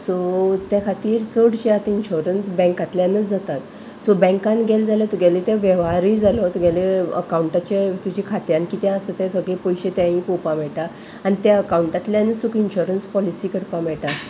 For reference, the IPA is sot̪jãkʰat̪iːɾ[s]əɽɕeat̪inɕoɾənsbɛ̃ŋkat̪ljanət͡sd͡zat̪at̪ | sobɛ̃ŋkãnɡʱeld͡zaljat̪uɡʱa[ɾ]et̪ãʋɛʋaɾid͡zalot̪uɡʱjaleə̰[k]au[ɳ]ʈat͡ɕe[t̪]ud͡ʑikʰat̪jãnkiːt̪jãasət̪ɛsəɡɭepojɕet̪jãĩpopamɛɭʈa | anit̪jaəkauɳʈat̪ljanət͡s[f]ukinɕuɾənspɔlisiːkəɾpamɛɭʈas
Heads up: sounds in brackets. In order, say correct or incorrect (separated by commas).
incorrect, incorrect, correct, correct, correct, incorrect